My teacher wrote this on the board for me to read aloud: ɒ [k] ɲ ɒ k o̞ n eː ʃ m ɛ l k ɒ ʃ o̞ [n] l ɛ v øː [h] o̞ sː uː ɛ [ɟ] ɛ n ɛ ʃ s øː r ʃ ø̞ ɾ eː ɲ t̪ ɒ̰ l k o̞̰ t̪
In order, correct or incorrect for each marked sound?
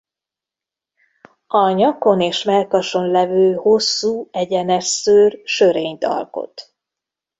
incorrect: none, correct, correct, correct

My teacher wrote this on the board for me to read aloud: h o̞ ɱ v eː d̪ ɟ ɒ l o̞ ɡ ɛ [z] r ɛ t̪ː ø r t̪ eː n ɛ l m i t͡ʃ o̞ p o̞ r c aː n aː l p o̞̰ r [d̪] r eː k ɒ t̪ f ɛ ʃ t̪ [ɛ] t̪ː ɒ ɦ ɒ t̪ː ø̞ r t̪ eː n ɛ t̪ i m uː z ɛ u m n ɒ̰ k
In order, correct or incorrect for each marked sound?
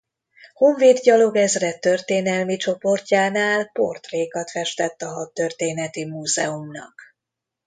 correct, incorrect: t̪, correct

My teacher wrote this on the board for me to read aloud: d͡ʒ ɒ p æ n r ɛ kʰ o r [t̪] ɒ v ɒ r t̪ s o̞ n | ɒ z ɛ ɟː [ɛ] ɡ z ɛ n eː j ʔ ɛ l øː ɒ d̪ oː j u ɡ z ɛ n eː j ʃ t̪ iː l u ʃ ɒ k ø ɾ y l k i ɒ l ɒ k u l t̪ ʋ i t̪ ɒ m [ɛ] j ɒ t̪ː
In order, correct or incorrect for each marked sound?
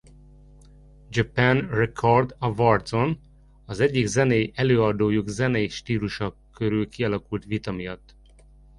incorrect: d̪, incorrect: i, incorrect: i

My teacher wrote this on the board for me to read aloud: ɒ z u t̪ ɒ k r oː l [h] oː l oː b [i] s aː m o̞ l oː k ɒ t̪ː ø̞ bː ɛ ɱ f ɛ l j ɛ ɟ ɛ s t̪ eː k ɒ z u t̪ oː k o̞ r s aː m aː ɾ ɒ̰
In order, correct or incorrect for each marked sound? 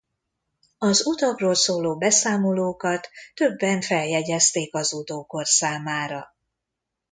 incorrect: s, incorrect: ɛ

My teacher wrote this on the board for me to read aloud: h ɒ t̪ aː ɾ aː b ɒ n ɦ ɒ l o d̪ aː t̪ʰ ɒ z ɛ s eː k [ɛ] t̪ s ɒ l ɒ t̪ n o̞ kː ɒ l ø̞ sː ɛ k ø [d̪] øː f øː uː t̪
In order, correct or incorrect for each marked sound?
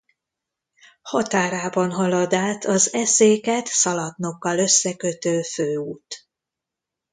correct, incorrect: t̪

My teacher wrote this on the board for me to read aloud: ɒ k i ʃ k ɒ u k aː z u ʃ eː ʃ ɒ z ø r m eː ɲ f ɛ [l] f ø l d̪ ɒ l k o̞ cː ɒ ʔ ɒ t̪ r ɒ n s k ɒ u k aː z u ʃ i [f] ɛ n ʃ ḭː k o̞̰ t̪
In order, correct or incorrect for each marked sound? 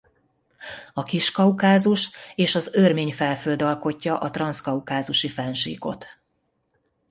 correct, correct

